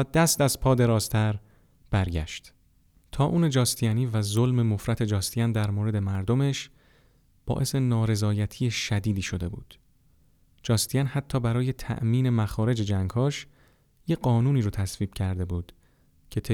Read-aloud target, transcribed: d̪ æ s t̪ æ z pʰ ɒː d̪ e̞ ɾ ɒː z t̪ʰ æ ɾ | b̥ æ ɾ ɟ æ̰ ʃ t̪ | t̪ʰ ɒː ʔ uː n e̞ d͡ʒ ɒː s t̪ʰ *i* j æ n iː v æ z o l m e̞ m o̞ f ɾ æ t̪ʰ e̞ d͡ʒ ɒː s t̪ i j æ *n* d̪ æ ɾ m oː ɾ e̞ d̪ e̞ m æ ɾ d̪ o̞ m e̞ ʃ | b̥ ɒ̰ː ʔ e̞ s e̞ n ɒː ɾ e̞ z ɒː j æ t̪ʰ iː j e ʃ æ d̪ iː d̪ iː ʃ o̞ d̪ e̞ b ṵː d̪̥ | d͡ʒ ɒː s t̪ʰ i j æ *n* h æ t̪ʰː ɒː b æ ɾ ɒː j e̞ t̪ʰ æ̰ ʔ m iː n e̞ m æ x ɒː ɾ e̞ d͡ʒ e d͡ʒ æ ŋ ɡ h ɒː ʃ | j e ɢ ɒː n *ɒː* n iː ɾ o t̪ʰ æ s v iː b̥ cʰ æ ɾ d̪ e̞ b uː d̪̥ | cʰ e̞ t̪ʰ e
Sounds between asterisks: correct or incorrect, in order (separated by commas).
correct, correct, correct, incorrect